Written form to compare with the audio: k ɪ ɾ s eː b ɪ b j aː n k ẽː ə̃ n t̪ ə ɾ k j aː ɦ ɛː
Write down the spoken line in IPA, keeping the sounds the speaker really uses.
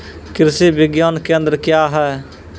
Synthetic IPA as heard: k ɪ ɾ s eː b ɪ ɡ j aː n k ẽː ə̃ n d̪ ə ɾ k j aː ɦ ɛː